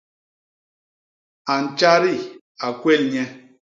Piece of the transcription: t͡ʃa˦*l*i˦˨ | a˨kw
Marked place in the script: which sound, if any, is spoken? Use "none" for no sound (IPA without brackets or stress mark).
ɾ